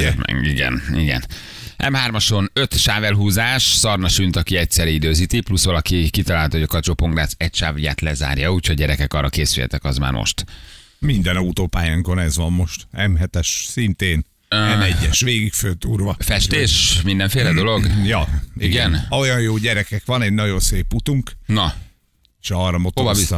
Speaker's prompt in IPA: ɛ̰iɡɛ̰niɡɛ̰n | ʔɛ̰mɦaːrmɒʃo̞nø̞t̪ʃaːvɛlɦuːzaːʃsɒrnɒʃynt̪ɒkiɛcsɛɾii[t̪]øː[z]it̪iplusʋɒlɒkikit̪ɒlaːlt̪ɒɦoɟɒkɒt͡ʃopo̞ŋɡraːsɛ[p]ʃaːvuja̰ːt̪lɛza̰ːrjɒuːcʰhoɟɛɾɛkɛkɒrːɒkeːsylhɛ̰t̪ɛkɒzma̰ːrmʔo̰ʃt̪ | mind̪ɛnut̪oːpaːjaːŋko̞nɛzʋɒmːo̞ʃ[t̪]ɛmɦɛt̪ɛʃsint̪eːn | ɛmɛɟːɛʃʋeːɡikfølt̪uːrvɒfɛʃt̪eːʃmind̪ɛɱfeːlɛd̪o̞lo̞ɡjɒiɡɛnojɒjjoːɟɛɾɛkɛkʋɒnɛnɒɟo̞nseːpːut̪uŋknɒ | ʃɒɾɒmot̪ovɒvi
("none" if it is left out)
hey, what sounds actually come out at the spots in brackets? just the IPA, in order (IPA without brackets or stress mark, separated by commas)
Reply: d̪, z, c, t̪